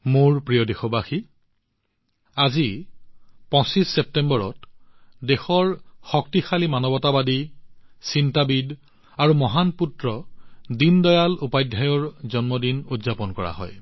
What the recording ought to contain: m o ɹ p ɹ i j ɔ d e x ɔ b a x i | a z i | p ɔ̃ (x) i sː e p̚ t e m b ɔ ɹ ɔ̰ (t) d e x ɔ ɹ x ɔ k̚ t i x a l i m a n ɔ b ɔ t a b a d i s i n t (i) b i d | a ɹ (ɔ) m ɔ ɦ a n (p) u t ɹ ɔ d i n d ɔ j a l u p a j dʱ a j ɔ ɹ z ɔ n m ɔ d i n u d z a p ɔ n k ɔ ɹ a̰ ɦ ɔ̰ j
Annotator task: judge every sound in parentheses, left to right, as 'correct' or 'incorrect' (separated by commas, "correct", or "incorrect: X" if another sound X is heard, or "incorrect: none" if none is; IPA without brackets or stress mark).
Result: incorrect: s, correct, incorrect: a, incorrect: u, correct